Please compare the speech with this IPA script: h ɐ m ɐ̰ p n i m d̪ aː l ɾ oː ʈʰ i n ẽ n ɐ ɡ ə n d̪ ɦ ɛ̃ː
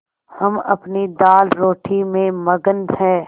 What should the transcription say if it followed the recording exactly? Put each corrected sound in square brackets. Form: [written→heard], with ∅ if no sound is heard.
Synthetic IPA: h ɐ m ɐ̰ p n i [m→∅] d̪ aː l ɾ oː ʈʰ i [n→m] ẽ [n→m] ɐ ɡ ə n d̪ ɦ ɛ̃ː